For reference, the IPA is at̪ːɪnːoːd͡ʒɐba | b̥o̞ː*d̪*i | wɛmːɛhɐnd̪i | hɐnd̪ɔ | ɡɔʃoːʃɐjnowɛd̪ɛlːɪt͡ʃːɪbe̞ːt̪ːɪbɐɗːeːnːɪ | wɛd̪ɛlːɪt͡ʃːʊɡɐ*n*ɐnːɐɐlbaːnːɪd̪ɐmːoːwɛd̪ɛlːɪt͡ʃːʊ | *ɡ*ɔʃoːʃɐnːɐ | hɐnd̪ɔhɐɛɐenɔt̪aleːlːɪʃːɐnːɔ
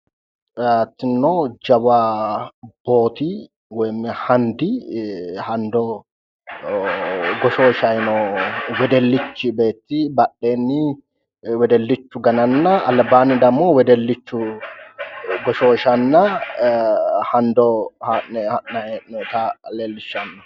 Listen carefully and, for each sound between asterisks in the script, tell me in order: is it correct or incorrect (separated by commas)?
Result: incorrect, correct, correct